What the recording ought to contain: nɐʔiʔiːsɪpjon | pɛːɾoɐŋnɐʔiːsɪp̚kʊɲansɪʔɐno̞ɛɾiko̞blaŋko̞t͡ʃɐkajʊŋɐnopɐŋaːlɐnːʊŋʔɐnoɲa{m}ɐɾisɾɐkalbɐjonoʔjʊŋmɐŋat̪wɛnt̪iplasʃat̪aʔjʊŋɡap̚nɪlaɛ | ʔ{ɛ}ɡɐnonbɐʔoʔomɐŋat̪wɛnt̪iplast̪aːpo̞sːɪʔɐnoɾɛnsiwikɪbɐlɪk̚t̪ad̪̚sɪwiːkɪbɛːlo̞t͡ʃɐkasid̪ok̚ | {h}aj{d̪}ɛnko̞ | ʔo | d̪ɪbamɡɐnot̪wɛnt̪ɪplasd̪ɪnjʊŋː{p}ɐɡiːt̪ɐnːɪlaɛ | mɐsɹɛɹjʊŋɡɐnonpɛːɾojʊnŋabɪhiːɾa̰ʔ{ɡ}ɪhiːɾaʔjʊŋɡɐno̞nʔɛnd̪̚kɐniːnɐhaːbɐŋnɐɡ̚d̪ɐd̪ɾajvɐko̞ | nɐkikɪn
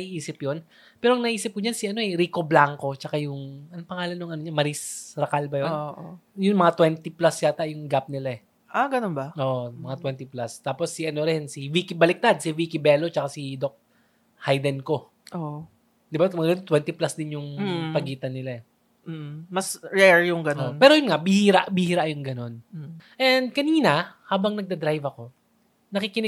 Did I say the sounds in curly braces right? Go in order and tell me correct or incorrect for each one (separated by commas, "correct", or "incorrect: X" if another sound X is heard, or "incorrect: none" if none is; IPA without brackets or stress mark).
correct, incorrect: a, correct, correct, correct, incorrect: b